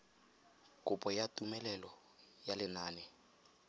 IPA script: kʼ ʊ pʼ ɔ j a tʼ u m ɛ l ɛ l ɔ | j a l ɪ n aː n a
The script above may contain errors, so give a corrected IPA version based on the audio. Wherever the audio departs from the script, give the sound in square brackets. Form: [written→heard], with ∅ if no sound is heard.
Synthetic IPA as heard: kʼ ʊ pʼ ɔ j a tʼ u m ɛ l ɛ l ɔ | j a l ɪ n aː n [a→ɛ]